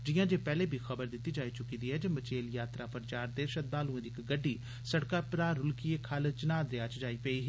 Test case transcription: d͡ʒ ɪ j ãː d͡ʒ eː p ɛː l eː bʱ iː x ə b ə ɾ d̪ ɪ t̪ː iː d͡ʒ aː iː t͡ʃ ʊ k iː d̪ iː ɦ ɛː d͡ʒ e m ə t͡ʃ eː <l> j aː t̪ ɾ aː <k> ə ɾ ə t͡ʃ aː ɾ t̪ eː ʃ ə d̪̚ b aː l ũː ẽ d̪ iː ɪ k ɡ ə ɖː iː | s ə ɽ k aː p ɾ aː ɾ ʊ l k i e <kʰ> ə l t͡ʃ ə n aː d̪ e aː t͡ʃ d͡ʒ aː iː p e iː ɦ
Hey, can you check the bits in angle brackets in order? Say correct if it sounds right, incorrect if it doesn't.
correct, incorrect: p, correct

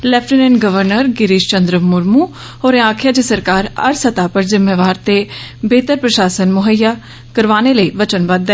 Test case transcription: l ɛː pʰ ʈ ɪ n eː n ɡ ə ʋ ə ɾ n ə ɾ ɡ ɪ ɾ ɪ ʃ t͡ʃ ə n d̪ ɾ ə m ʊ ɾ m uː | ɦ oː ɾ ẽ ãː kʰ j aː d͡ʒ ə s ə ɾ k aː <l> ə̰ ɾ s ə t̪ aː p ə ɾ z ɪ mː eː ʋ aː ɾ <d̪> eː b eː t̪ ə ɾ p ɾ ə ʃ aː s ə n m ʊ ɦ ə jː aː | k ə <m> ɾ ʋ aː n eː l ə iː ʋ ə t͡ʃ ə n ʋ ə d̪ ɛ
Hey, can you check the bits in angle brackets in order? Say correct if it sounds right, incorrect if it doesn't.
incorrect: ɾ, incorrect: t̪, incorrect: none

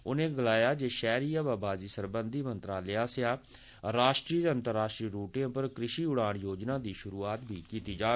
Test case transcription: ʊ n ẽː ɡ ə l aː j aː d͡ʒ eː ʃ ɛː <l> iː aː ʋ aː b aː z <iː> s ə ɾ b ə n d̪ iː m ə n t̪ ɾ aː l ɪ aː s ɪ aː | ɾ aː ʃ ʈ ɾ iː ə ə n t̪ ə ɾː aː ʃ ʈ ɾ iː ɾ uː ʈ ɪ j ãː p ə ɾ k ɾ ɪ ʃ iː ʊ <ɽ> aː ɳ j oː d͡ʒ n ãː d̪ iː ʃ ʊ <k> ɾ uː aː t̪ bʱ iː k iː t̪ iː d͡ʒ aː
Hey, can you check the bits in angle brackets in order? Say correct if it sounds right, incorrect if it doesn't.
incorrect: ɾ, correct, correct, incorrect: none

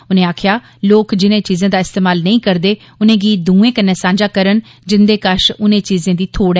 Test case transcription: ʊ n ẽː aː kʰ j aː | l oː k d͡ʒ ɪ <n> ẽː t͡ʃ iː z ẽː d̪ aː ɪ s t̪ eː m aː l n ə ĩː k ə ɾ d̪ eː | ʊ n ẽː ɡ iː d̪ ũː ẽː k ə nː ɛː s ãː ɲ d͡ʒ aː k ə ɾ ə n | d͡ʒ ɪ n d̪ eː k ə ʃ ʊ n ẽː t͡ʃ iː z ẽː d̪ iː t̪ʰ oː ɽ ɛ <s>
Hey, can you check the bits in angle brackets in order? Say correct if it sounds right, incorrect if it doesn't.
correct, incorrect: none

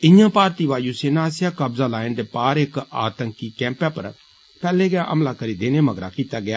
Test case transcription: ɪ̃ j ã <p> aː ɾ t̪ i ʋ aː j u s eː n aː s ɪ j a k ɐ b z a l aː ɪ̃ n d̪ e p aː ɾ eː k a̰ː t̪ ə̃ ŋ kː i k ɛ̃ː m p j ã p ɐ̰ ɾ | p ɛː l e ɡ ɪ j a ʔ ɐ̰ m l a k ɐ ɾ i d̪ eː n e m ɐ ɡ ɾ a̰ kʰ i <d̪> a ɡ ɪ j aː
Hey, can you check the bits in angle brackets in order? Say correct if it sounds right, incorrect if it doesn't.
correct, incorrect: t̪

